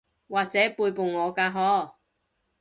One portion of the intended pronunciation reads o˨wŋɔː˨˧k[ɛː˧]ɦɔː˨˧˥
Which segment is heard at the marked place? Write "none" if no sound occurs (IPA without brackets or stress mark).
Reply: aː˧